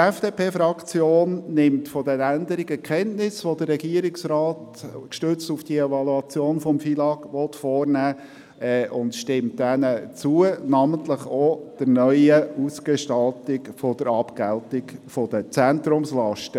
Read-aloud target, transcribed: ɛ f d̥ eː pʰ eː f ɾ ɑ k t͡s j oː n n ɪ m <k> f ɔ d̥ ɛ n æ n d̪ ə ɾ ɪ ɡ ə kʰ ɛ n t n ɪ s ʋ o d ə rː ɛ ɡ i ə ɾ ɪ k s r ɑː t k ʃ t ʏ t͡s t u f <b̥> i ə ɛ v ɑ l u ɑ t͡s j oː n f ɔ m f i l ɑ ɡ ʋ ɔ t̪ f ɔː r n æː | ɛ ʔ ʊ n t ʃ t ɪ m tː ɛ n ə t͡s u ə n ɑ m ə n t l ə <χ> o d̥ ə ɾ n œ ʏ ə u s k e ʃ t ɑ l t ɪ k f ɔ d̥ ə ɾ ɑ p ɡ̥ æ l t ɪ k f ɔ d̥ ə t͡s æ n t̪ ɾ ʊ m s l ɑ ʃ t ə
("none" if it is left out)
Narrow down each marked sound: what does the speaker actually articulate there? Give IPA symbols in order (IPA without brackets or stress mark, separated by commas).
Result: t, d̥, χ